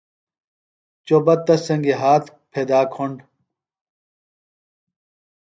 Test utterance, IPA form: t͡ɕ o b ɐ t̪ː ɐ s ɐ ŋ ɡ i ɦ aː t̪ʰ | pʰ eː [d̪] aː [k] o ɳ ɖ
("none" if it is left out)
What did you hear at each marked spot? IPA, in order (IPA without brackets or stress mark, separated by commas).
d̪, kʰ